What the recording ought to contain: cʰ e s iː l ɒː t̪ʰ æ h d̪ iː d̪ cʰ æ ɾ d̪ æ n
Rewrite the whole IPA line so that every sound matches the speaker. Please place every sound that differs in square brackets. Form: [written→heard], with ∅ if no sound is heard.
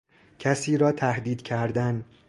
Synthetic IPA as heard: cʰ [e→æ] s iː [l→ɾ] ɒː t̪ʰ æ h d̪ iː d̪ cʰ æ ɾ d̪ æ n

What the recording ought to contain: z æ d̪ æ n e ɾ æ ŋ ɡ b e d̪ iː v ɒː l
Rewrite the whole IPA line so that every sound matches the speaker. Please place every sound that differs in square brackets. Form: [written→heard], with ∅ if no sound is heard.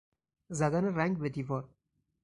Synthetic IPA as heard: z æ d̪ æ n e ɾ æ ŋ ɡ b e d̪ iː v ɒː [l→ɾ]

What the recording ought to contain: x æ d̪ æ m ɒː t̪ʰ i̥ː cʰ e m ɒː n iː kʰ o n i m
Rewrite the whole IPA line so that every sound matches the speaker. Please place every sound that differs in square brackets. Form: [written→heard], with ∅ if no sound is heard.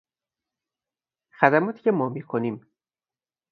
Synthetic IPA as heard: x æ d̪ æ m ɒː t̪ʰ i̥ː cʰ e m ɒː [n→m] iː kʰ o n i m

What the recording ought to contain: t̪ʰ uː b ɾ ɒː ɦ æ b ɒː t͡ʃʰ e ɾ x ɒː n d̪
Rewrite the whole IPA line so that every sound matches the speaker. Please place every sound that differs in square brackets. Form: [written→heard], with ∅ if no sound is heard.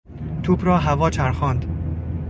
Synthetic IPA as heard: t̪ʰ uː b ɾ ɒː ɦ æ [b→v] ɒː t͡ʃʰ [e→æ] ɾ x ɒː n d̪

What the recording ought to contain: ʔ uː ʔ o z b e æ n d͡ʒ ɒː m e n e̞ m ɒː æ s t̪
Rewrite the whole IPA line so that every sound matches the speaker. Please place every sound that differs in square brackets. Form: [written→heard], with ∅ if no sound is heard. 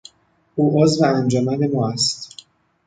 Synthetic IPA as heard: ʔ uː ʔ o z [b→v] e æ n d͡ʒ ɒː m [e→æ] n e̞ m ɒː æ s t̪

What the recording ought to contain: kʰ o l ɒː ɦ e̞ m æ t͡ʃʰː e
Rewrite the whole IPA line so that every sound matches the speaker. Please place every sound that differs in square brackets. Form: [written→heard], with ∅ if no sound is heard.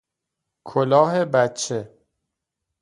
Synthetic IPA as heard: kʰ o l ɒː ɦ e̞ [m→b] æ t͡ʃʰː e

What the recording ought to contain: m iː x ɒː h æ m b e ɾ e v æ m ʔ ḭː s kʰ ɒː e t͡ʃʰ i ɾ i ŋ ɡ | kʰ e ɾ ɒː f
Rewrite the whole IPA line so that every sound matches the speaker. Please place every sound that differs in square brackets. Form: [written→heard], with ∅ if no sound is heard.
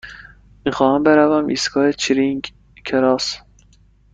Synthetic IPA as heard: m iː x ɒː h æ m b e ɾ [e→æ] v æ m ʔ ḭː s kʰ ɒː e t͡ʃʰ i ɾ i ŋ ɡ | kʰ e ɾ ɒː [f→s]

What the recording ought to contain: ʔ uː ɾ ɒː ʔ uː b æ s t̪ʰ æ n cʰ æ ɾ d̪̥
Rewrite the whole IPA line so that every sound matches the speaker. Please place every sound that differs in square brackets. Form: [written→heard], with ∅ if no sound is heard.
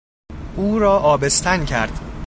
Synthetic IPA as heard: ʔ uː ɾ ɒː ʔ [uː→ɒː] b [æ→e] s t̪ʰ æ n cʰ æ ɾ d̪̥

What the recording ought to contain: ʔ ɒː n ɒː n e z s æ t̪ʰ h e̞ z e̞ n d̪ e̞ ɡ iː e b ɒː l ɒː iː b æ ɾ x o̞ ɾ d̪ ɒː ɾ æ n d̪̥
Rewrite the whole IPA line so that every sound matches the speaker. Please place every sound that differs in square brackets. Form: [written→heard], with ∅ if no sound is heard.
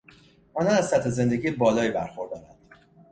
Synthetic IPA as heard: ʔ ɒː n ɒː n [e→æ] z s æ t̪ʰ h e̞ z e̞ n d̪ e̞ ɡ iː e b ɒː l ɒː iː b æ ɾ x o̞ ɾ d̪ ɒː ɾ æ n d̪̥

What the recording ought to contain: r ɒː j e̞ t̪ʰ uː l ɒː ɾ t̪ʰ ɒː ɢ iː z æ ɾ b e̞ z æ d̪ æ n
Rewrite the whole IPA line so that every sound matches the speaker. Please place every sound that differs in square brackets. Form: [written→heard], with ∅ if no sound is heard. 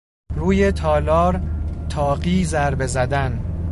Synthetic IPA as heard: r [ɒː→uː] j e̞ t̪ʰ [uː→ɒː] l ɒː ɾ t̪ʰ ɒː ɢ iː z æ ɾ b e̞ z æ d̪ æ n

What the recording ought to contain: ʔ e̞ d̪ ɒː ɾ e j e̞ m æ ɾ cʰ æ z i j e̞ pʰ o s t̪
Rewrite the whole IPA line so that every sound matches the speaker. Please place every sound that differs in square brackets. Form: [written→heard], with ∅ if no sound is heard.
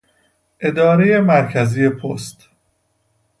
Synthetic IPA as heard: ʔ e̞ d̪ ɒː ɾ e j e̞ m æ ɾ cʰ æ z i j e̞ pʰ o s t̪

